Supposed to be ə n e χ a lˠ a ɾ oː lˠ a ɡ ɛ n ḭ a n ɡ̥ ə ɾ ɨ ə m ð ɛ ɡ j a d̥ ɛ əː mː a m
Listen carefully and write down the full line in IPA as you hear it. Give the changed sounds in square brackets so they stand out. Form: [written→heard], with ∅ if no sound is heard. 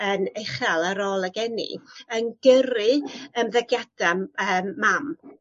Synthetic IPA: ə n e χ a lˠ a ɾ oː lˠ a ɡ ɛ n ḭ [a→ə] n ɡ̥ ə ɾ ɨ ə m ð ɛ ɡ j a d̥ [ɛ→a] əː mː a m